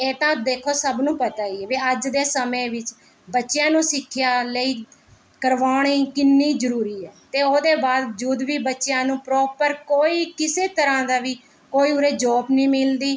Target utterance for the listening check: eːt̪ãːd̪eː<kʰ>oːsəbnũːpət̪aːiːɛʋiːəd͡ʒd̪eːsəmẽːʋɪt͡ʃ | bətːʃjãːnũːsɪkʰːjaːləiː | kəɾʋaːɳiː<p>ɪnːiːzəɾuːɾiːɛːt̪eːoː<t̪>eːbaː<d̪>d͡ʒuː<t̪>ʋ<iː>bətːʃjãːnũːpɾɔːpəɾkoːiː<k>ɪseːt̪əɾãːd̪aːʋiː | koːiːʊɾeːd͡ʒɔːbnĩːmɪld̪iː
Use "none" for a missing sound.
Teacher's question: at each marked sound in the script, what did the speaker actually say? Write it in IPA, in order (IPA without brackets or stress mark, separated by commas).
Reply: kʰ, k, d̪, d̪, d̪, iː, k